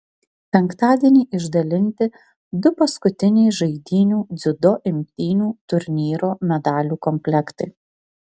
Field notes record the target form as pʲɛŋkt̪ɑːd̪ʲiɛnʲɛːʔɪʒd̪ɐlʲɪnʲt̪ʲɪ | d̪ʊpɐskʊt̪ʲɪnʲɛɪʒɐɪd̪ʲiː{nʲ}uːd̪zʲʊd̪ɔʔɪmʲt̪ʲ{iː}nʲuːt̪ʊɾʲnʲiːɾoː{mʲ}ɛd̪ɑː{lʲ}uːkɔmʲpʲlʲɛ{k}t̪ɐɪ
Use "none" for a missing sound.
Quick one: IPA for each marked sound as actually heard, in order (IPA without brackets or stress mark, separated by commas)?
nʲ, iː, mʲ, lʲ, k